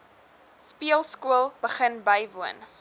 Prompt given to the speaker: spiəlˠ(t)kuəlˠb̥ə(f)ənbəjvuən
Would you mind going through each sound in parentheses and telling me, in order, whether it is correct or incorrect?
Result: incorrect: s, incorrect: χ

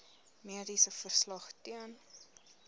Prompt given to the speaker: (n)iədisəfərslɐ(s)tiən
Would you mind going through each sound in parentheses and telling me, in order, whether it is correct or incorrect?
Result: incorrect: m, incorrect: χ

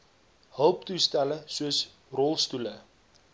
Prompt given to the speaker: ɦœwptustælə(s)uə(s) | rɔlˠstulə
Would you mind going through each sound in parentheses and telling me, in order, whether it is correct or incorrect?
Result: correct, correct

